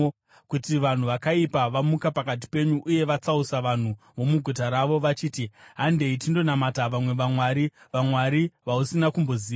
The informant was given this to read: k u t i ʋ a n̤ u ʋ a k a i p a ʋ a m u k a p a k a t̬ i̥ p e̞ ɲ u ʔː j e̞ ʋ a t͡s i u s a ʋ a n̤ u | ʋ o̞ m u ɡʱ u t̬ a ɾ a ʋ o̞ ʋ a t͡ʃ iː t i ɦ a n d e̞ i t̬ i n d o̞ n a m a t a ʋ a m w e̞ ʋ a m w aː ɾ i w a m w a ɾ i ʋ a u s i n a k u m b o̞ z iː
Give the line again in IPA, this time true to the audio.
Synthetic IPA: k u t i ʋ a n̤ u ʋ a k a i p a ʋ a m u k a p a k a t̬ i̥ p e̞ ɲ u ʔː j e̞ ʋ a t͡s a u s a ʋ a n̤ u | ʋ o̞ m u ɡʱ u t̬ a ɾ a ʋ o̞ ʋ a t͡ʃ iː t i ɦ a n d e̞ i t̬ i n d o̞ n a m a t a ʋ a m w e̞ ʋ a m w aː ɾ i ʋ a m w a ɾ i ʋ a u s i n a k u m b o̞ z iː